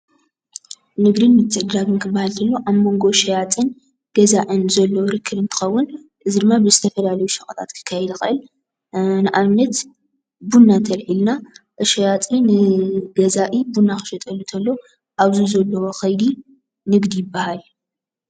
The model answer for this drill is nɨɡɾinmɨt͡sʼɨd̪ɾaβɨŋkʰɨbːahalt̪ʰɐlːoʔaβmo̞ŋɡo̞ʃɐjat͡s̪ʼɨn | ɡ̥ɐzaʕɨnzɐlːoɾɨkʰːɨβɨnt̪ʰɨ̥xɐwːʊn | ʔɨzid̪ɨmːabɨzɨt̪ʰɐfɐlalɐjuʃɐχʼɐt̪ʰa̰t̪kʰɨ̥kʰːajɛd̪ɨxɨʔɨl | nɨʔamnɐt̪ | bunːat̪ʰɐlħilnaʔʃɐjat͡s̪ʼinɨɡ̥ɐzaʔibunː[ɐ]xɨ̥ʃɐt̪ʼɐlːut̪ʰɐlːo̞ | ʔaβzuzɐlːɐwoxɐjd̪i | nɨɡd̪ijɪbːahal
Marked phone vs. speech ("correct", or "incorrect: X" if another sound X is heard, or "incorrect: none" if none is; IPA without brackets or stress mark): incorrect: a